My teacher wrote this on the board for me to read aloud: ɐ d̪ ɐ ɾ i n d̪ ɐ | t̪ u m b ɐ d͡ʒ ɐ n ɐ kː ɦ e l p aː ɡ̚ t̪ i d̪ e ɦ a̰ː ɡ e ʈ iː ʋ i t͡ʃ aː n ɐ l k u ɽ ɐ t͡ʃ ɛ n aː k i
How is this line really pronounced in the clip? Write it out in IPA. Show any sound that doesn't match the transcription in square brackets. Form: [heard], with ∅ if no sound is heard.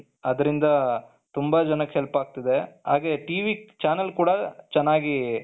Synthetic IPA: ɐ d̪ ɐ ɾ i n d̪ ɐ | t̪ u m b ɐ d͡ʒ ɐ n ɐ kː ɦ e l p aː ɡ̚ t̪ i d̪ e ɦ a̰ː ɡ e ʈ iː ʋ i t͡ʃ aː n ɐ l k [uː] ɽ ɐ t͡ʃ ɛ [nː] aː [ɡ] i